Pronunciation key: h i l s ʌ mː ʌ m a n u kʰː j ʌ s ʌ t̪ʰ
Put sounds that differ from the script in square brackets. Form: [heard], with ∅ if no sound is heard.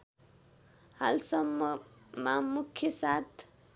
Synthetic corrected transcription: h [a] l s ʌ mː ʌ m a [m] u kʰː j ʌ s [a] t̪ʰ